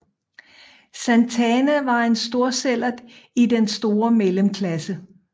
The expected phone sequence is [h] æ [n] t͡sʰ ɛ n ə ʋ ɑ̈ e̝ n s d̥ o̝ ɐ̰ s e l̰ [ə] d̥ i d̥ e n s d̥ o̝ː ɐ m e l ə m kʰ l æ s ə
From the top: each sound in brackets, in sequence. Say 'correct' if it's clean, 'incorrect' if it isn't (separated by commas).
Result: incorrect, correct, incorrect